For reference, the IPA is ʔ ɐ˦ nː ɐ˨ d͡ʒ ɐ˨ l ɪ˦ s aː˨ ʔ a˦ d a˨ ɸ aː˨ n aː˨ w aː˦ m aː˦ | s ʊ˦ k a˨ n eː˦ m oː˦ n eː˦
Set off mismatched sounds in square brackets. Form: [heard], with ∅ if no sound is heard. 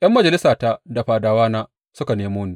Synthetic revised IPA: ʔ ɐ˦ [mː] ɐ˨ d͡ʒ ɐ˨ l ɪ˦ s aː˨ [t] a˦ d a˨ ɸ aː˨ [d] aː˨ w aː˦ [n] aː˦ | s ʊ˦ k a˨ n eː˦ m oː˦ n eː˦